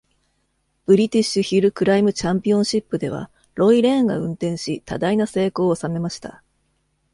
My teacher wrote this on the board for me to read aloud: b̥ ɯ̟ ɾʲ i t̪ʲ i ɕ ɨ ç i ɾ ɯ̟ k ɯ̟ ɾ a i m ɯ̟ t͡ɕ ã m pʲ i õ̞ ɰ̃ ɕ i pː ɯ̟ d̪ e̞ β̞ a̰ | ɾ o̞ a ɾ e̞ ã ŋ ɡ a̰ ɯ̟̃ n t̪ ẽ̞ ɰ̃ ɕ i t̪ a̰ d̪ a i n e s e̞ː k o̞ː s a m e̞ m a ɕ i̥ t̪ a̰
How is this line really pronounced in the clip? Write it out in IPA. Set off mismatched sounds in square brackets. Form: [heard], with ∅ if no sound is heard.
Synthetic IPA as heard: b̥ ɯ̟ ɾʲ i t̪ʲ i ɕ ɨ ç i ɾ ɯ̟ k ɯ̟ ɾ a i m ɯ̟ t͡ɕ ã m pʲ i õ̞ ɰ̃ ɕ i pː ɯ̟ d̪ e̞ β̞ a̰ | ɾ o̞ [i] ɾ e̞ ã ŋ ɡ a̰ ɯ̟̃ n t̪ ẽ̞ ɰ̃ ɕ i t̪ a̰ d̪ a i n [a] s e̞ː k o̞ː s a m e̞ m a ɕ i̥ t̪ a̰

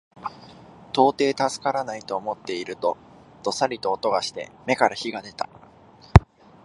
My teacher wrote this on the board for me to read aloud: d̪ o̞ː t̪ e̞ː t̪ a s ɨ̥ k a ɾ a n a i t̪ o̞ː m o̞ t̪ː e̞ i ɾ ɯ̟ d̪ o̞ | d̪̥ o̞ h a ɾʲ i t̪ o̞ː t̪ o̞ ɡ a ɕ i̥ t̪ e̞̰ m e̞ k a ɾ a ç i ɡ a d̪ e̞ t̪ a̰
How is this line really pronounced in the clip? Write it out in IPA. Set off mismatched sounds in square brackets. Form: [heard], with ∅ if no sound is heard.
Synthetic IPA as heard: [t̪] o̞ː t̪ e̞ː t̪ a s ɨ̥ k a ɾ a n a i t̪ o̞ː m o̞ t̪ː e̞ i ɾ ɯ̟ [t̪] o̞ | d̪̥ o̞ [s] a ɾʲ i t̪ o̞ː t̪ o̞ ɡ a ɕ i̥ t̪ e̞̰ m e̞ k a ɾ a ç i ɡ a d̪ e̞ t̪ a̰

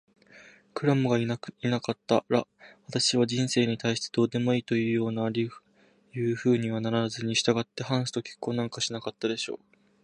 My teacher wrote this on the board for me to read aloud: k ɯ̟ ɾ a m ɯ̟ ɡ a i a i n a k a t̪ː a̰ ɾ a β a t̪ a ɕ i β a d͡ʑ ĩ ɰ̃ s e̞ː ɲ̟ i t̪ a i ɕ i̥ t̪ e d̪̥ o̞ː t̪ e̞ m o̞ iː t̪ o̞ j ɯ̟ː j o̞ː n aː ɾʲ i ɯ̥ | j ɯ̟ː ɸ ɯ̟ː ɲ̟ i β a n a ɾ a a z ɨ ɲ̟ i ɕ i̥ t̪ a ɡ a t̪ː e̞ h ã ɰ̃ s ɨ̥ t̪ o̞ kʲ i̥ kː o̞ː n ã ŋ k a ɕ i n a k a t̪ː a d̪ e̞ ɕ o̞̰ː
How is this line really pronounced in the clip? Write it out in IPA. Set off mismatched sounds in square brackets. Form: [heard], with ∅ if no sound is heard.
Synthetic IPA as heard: k ɯ̟ ɾ a m ɯ̟ ɡ a i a i n a k a t̪ː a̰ ɾ a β a t̪ a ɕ i β a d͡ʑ ĩ ɰ̃ s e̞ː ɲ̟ i t̪ a i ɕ i̥ t̪ e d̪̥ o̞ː [d̪] e̞ m o̞ iː t̪ o̞ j ɯ̟ː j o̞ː n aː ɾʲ i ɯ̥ | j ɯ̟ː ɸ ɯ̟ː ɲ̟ i β a n a ɾ a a z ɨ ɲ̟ i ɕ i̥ t̪ a ɡ a t̪ː e̞ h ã ɰ̃ s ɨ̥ t̪ o̞ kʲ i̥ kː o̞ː n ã ŋ k a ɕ i n a k a t̪ː a d̪ e̞ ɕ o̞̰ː

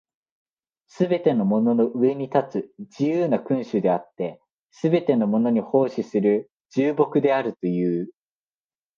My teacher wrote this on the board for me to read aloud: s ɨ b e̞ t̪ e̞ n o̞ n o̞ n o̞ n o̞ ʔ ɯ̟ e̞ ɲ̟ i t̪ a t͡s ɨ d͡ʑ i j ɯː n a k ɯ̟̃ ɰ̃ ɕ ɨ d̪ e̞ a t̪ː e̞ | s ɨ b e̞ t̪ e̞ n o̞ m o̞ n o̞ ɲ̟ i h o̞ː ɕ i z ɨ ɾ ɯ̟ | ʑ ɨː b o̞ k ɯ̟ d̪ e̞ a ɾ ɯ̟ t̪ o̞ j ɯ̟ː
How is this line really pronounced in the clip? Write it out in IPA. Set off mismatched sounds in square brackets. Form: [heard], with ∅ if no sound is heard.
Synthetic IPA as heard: s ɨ b e̞ t̪ e̞ n o̞ [m] o̞ n o̞ n o̞ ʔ ɯ̟ e̞ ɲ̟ i t̪ a t͡s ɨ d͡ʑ i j ɯː n a k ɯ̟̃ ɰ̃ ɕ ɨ d̪ e̞ a t̪ː e̞ | s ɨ b e̞ t̪ e̞ n o̞ m o̞ n o̞ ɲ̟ i h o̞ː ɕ i [s] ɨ ɾ ɯ̟ | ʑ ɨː b o̞ k ɯ̟ d̪ e̞ a ɾ ɯ̟ t̪ o̞ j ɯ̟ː

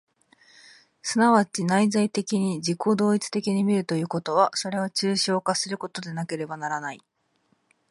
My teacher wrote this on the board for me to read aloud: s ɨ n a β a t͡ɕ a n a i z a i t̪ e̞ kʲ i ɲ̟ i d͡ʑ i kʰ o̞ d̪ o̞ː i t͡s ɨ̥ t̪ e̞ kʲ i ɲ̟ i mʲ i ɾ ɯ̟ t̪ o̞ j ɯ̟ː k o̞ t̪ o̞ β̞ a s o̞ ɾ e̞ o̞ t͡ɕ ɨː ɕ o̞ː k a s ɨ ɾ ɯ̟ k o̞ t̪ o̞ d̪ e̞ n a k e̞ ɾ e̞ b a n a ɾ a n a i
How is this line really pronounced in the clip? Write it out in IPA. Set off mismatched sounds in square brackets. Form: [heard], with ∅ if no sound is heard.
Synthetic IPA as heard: s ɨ n a β a t͡ɕ [i] n a i z a i t̪ e̞ kʲ i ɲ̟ i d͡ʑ i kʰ o̞ d̪ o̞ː i t͡s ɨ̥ t̪ e̞ kʲ i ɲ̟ i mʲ i ɾ ɯ̟ t̪ o̞ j ɯ̟ː k o̞ t̪ o̞ β̞ a s o̞ ɾ e̞ o̞ t͡ɕ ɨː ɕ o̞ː k a s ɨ ɾ ɯ̟ k o̞ t̪ o̞ d̪ e̞ n a k e̞ ɾ e̞ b a n a ɾ a n a i

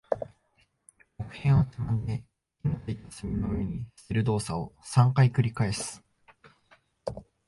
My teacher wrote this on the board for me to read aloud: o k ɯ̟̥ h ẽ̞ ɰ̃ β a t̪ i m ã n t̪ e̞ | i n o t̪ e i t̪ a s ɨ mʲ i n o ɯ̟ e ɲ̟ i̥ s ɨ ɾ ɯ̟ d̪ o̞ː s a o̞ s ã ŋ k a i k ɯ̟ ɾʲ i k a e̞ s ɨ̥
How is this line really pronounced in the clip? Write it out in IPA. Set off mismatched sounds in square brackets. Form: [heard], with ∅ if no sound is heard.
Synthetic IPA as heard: o k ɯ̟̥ h ẽ̞ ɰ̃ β a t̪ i m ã n [d̪] e̞ | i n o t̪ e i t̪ a s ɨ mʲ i n o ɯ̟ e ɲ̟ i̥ s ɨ ɾ ɯ̟ d̪ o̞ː s a o̞ s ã ŋ k a i k ɯ̟ ɾʲ i k a e̞ s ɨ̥

